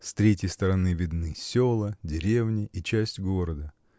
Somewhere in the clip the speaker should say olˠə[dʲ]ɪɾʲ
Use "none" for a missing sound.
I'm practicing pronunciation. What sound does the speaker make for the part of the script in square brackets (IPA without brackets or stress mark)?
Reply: dʲ